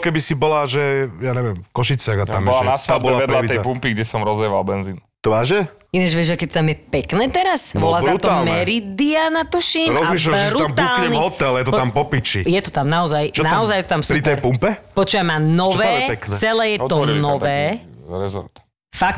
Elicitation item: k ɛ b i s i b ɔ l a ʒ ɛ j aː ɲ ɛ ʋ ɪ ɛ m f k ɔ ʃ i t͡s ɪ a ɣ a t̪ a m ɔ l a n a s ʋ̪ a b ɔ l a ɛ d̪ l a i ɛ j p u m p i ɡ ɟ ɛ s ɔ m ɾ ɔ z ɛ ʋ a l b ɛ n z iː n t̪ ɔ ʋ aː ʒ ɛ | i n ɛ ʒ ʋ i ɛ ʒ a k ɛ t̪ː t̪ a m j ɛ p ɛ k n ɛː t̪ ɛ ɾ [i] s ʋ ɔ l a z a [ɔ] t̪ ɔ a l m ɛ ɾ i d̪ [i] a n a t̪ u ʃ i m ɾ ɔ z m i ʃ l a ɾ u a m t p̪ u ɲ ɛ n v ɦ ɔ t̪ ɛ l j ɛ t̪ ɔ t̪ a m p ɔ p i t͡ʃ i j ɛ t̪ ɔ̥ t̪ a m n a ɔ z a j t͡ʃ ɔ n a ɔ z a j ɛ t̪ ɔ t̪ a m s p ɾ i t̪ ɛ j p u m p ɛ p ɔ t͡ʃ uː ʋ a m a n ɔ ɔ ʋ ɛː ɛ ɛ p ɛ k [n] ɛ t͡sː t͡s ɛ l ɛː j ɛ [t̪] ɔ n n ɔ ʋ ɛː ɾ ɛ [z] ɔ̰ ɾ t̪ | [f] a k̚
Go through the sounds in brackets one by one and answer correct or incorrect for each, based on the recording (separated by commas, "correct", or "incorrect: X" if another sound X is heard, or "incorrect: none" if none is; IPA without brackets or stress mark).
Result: incorrect: a, incorrect: u, correct, correct, correct, correct, correct